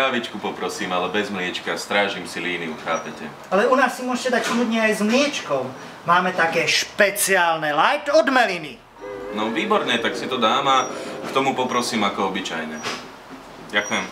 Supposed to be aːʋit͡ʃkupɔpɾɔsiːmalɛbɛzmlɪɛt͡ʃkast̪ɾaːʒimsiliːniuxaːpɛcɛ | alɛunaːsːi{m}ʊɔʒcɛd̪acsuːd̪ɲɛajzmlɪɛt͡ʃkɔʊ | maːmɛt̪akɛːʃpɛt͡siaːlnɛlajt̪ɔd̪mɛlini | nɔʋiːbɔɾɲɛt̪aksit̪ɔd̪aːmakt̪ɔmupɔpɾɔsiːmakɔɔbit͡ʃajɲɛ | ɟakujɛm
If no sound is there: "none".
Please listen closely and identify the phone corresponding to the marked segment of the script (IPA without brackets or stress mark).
m